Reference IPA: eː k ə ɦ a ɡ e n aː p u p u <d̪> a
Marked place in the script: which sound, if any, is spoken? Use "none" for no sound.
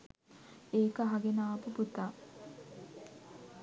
t̪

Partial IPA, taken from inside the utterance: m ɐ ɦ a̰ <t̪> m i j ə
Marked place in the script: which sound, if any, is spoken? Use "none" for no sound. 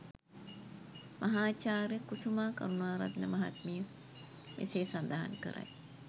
t̪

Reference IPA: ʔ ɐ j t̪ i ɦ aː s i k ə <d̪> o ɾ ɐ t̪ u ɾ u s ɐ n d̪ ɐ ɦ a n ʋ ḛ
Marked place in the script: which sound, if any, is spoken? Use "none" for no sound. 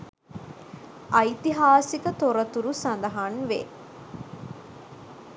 t̪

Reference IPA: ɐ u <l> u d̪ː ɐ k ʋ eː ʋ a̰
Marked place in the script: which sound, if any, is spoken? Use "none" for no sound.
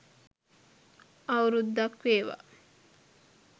ɾ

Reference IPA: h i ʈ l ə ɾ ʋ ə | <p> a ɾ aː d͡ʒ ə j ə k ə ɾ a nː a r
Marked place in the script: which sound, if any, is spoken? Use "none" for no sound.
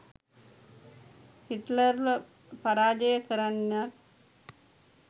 p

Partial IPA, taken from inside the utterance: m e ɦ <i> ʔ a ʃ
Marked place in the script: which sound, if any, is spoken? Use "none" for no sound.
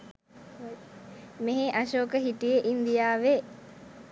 e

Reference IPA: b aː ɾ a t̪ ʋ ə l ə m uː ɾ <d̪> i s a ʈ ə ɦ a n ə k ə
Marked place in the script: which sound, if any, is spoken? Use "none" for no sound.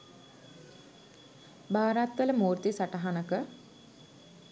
t̪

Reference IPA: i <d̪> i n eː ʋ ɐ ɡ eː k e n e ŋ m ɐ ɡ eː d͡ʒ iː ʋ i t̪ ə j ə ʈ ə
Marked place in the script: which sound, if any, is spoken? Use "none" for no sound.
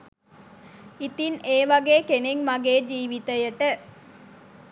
t̪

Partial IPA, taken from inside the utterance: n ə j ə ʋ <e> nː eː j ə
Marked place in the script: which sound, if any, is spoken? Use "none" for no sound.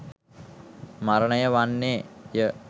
a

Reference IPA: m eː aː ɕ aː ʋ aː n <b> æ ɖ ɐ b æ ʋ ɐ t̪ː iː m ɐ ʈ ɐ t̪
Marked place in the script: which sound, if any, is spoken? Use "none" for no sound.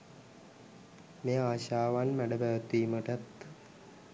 m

